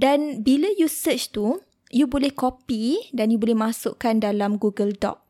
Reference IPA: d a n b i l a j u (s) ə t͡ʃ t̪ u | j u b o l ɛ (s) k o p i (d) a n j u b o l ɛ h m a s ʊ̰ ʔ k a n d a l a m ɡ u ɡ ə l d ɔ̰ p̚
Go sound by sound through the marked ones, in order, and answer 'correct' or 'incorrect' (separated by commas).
correct, incorrect, correct